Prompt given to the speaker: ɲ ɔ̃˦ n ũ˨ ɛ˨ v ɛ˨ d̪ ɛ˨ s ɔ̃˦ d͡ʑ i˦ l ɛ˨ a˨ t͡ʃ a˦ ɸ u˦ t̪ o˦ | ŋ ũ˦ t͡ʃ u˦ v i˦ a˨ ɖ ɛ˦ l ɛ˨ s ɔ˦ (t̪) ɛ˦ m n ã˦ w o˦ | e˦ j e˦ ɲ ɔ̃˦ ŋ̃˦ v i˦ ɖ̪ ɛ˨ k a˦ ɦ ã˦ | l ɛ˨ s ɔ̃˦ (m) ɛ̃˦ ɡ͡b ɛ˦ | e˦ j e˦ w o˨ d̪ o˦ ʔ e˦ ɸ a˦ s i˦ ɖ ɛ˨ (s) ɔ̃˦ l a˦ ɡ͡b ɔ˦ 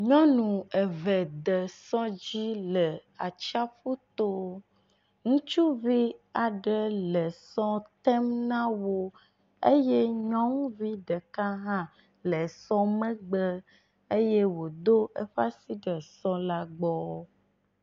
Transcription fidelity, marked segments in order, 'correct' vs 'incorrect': correct, correct, correct

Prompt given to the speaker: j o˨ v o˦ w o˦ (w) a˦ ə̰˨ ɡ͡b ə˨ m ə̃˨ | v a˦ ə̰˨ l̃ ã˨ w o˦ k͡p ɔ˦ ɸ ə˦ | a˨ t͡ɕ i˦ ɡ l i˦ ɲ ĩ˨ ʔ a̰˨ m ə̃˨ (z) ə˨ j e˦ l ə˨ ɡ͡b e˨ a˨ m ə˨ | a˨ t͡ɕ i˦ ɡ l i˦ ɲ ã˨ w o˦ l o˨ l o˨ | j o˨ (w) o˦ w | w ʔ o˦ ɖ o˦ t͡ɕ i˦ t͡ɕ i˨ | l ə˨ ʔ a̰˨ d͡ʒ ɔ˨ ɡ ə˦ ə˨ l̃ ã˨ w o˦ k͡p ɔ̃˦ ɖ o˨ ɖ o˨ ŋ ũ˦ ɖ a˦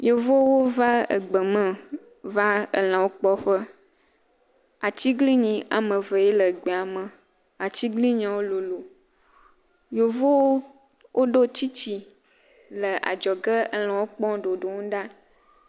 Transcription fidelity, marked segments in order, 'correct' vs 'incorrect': incorrect: v, incorrect: v, incorrect: v

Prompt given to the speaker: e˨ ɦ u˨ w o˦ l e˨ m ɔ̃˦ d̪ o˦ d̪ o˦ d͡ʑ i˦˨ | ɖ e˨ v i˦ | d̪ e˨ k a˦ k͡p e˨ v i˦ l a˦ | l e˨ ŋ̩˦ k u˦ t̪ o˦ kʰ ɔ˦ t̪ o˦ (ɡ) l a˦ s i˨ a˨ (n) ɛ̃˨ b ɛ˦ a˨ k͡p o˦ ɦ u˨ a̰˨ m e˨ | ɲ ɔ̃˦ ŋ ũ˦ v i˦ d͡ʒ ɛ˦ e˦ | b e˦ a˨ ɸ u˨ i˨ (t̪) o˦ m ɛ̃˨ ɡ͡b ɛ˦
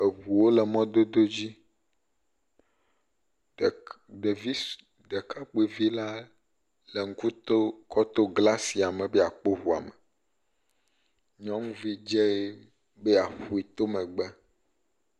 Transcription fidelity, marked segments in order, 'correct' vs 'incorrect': correct, incorrect: m, correct

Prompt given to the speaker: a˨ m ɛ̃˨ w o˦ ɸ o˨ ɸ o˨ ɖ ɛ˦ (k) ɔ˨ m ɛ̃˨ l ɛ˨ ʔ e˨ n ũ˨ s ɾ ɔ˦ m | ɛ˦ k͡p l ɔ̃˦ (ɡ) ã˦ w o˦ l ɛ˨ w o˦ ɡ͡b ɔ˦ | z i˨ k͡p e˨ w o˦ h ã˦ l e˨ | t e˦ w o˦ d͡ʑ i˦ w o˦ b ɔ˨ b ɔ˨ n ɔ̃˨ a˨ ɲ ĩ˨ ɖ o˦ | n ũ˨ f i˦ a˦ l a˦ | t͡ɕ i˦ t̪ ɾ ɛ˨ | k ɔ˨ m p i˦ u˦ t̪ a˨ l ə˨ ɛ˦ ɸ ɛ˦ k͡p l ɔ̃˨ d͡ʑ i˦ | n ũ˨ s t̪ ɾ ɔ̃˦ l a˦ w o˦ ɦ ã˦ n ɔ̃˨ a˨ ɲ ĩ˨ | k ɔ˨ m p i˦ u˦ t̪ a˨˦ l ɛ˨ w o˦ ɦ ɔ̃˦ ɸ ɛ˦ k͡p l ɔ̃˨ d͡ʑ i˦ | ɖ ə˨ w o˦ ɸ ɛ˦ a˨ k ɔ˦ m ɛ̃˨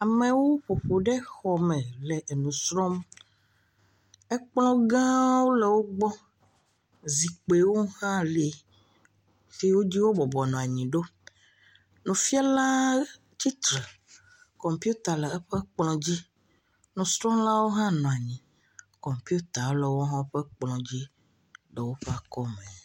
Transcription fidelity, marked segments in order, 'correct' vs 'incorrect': incorrect: x, correct

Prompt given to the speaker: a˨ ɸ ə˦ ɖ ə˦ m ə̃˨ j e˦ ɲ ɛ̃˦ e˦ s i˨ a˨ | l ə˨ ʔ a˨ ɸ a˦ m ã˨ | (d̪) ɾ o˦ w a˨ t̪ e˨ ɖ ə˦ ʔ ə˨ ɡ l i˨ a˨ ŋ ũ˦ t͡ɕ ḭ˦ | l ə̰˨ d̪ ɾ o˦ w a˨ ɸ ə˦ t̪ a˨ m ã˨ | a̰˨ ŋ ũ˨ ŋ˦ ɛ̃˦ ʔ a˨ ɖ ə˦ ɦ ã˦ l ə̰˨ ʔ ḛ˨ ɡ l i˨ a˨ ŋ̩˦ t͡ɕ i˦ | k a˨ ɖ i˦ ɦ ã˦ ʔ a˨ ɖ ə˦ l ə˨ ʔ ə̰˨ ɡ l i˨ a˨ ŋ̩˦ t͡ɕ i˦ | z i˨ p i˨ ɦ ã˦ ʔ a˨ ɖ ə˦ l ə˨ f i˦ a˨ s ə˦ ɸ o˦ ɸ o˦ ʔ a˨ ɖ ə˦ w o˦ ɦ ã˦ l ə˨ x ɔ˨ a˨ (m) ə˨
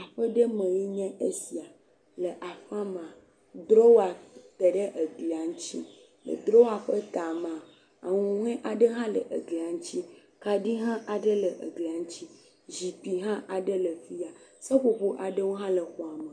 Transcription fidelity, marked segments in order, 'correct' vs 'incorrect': correct, correct

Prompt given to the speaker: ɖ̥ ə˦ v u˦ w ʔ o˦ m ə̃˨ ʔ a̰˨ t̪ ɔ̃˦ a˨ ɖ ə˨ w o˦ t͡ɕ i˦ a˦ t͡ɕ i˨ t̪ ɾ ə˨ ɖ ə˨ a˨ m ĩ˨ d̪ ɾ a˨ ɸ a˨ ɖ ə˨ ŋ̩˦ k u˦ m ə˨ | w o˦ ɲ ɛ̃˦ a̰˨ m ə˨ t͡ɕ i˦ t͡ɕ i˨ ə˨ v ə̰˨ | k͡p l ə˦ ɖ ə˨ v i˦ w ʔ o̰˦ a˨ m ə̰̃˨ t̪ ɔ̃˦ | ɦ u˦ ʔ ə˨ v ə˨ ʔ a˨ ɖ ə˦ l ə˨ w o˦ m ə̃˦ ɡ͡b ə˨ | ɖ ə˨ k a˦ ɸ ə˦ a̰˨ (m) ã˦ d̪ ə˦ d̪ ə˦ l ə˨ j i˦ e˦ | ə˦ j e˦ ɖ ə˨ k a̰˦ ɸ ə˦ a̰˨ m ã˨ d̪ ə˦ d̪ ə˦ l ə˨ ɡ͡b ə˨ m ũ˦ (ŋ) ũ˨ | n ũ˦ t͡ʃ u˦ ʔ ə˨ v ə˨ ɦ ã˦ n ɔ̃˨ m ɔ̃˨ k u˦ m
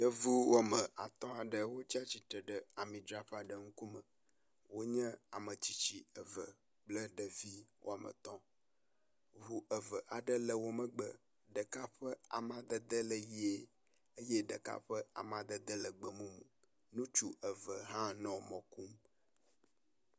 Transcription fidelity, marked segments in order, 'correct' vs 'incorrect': correct, incorrect: m

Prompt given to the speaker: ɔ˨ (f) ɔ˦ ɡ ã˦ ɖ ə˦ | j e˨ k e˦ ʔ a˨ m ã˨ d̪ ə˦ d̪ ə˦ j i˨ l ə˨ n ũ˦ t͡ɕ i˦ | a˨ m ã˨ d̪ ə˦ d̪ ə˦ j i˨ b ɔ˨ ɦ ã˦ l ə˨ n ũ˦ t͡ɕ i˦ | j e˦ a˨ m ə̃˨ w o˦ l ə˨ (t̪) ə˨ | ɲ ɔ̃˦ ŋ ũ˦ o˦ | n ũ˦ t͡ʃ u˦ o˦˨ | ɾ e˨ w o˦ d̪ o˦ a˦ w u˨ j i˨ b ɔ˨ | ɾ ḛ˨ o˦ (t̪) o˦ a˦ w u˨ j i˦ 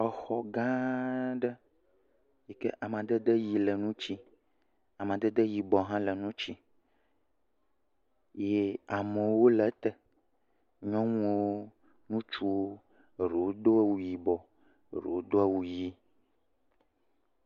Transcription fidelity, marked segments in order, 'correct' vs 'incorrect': incorrect: x, correct, incorrect: d̪

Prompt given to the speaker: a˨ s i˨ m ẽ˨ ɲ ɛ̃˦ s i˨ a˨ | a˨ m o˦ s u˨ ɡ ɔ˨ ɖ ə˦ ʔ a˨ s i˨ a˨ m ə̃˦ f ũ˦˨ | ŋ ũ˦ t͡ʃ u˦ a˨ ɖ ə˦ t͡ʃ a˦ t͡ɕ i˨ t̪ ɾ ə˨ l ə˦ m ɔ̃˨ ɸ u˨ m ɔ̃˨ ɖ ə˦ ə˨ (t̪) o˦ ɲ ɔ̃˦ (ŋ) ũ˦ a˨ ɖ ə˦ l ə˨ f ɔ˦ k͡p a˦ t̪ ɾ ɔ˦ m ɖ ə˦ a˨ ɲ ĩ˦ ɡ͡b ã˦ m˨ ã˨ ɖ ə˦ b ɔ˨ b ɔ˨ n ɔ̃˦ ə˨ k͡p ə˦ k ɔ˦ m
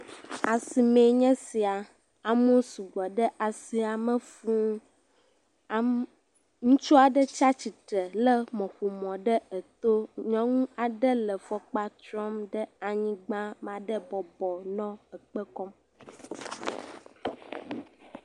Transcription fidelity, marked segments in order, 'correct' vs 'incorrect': correct, correct

